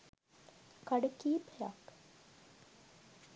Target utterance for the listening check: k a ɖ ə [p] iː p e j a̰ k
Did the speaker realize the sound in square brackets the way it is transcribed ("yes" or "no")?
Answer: no